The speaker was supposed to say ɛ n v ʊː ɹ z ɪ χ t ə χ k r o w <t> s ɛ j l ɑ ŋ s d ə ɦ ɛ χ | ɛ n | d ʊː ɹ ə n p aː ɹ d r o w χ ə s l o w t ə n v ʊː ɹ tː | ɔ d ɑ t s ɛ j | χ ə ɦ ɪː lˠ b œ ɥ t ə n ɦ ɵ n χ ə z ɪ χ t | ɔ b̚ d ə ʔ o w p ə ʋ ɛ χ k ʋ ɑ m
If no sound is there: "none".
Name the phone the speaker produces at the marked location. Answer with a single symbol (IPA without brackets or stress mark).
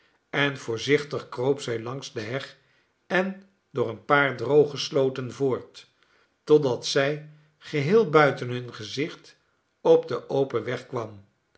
p